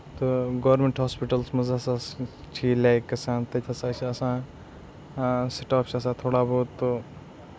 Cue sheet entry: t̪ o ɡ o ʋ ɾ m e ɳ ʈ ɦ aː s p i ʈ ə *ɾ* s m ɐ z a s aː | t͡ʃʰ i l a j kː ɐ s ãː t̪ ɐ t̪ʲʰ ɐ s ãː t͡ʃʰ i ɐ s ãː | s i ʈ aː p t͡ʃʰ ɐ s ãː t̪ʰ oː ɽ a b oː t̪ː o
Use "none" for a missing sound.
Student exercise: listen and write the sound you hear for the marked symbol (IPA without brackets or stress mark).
l